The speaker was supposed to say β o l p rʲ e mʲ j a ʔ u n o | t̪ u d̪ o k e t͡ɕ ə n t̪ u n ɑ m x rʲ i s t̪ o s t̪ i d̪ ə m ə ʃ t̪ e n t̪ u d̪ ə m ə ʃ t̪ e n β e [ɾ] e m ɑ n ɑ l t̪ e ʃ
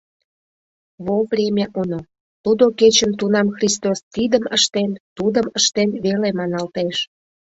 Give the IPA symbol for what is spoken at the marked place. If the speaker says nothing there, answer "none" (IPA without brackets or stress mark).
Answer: l